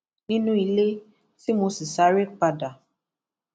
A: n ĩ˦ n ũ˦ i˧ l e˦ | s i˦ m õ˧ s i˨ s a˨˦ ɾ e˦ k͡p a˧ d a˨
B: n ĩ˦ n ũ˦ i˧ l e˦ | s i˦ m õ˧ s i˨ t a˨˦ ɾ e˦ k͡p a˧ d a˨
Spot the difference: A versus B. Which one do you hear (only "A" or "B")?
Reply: A